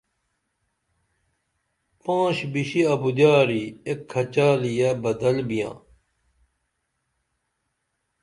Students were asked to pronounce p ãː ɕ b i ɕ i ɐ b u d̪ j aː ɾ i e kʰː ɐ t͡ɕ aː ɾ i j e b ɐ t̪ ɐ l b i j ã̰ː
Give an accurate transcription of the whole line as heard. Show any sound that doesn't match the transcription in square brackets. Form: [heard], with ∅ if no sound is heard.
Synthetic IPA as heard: p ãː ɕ b i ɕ i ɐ b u d̪ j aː ɾ i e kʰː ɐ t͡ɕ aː [l] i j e b ɐ [d̪] ɐ l b i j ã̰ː